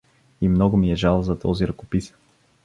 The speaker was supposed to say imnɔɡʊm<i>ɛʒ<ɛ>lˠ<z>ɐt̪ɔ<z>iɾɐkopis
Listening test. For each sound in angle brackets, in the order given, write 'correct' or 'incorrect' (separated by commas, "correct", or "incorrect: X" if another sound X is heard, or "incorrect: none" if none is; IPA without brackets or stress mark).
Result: correct, incorrect: a, correct, correct